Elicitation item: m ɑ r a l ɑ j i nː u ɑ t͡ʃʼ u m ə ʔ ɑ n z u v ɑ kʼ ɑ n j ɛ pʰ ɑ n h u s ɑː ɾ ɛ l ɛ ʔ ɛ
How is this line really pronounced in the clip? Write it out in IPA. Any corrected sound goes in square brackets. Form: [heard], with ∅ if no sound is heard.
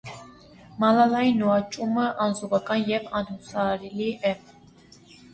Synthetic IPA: m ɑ [l] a l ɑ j i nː u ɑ t͡ʃʼ u m ə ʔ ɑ n z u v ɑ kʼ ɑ n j ɛ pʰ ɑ n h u s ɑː ɾ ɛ l [i] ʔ ɛ